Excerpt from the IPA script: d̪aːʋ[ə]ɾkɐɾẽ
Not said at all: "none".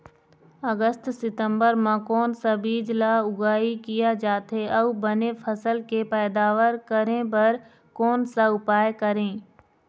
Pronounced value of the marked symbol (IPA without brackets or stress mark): ə